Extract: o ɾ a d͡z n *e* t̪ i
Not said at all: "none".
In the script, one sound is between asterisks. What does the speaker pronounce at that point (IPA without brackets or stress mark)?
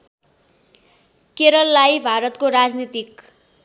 i